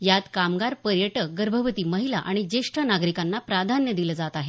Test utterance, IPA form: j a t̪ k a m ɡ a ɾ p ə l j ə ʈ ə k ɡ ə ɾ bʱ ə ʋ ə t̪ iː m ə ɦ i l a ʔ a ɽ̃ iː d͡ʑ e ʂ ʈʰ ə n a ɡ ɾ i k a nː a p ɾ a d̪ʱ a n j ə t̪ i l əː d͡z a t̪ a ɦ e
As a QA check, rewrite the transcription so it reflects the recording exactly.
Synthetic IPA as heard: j a t̪ k a m ɡ a ɾ p ə ɾ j ə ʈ ə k ɡ ə ɾ bʱ ə ʋ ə t̪ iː m ə ɦ i l a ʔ a ɽ̃ i d͡ʑ e ʂ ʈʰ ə n a ɡ ɾ i k a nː a p ɾ a d̪ʱ a n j ə d̪ i l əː d͡z a t̪ a ɦ e

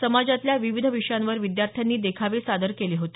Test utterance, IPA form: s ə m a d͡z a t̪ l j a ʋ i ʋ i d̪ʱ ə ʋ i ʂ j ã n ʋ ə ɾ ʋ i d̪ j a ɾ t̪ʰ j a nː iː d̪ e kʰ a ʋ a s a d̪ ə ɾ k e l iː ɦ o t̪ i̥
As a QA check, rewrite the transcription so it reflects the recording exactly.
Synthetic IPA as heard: s ə m a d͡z a t̪ l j a ʋ i ʋ i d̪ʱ ə ʋ i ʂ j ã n ʋ ə ɾ ʋ i d̪ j a ɾ t̪ʰ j a nː iː d̪ e kʰ a ʋ e s a d̪ ə ɾ k e l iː ɦ o t̪ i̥

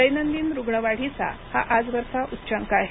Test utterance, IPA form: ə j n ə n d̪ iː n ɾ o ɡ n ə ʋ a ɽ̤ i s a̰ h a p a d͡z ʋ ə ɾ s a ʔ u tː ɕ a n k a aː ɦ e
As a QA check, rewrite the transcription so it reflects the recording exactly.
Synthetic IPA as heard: ə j n ə n d̪ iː n ɾ u ɡ ɳ ə ʋ a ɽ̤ i t͡s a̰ h a ʔ a d͡z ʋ ə ɾ s a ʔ u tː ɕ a ŋ k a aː ɦ e

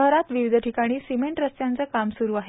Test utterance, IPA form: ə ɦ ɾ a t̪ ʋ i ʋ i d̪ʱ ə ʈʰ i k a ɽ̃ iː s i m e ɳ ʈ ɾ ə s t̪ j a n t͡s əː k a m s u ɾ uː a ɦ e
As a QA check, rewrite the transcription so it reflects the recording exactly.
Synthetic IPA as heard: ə ɦ ɾ a t̪ ʋ i ʋ i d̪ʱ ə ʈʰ i k a ɽ̃ iː s i m e ɳ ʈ ɾ ə s t̪ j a n t͡s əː k a m s u ɾ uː a ɦ e

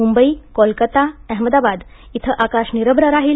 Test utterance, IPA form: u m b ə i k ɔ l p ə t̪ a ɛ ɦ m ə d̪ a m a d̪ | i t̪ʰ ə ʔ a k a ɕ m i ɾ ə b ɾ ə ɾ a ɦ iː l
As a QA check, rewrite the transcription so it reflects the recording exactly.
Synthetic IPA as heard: u m b ə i k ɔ l k ə t̪ a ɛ ɦ m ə d̪ a b a d̪ | i t̪ʰ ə ʔ a k a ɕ n i ɾ ə b ɾ ə ɾ a ɦ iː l

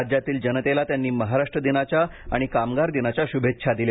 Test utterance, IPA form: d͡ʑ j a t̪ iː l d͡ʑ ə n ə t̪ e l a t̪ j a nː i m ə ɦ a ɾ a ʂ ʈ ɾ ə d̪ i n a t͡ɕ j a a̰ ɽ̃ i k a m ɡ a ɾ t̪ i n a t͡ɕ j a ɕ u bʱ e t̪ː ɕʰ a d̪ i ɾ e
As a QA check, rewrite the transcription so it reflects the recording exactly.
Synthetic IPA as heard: d͡ʑ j a t̪ iː l d͡ʑ ə n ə t̪ e l a t̪ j a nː iː m ə ɦ a ɾ a ʂ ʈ ɾ ə d̪ i n a t͡ɕ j a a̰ ɽ̃ i k a m ɡ a ɾ d̪ i n a t͡ɕ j a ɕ u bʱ e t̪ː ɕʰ a d̪ i l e

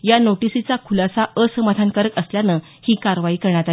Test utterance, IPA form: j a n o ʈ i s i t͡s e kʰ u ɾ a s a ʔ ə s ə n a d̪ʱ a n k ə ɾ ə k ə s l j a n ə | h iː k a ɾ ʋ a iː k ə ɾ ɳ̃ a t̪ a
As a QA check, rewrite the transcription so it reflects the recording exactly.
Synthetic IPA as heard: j a n o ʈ i s i t͡s a kʰ u l a s a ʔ ə s ə m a d̪ʱ a n k ə ɾ ə k ə s l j a n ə | h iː k a ɾ ʋ a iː k ə ɾ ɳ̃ a t̪ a

